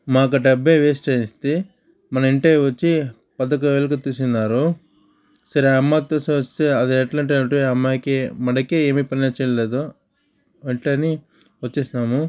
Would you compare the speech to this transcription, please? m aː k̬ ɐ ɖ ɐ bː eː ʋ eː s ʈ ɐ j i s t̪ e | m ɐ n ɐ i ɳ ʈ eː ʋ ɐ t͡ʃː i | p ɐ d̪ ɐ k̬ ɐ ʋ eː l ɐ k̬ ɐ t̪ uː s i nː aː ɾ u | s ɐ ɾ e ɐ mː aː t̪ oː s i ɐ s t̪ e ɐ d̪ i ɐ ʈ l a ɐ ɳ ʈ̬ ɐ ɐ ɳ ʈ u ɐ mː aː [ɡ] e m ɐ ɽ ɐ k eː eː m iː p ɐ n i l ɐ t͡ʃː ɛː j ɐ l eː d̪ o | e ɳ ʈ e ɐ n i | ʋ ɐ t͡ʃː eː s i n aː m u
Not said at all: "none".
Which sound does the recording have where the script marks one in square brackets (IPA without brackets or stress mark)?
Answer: k